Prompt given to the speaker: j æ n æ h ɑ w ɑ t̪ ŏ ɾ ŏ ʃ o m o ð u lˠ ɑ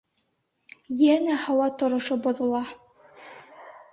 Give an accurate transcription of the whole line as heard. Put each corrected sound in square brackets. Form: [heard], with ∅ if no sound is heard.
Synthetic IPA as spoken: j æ n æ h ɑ w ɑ t̪ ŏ ɾ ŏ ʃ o [b] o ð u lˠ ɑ